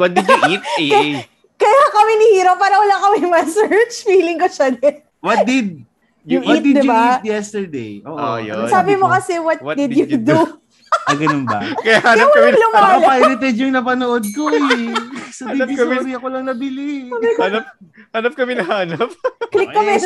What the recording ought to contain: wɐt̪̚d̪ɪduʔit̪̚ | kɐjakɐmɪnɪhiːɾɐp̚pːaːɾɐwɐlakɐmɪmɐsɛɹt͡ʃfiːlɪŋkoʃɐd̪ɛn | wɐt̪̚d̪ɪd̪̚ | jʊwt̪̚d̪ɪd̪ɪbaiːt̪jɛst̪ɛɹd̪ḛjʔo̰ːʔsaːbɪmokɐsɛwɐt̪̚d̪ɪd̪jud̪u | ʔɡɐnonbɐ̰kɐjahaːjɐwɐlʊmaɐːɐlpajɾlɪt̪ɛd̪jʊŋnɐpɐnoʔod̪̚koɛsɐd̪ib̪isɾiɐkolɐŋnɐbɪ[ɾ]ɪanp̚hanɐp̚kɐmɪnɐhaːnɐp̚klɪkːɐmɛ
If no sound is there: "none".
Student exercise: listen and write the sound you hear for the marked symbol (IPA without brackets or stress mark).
l